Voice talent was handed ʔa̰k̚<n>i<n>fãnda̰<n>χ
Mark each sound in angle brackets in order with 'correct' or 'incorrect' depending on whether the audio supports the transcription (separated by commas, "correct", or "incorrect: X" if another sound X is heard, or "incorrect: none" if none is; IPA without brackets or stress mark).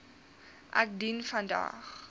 incorrect: d, correct, incorrect: none